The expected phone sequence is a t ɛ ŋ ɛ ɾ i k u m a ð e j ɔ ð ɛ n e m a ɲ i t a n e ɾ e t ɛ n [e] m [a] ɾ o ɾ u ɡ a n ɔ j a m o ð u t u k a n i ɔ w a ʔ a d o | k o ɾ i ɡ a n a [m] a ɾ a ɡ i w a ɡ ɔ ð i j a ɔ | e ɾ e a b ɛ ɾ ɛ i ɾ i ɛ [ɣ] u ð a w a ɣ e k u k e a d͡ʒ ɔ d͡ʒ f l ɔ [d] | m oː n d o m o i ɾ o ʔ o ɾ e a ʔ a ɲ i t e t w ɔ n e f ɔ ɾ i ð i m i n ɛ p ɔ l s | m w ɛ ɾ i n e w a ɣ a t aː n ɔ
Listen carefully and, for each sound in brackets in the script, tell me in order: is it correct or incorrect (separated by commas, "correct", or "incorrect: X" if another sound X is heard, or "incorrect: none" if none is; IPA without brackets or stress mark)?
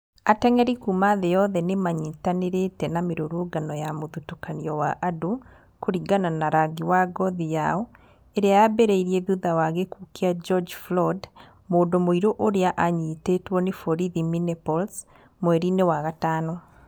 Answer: incorrect: a, incorrect: e, incorrect: n, incorrect: ð, correct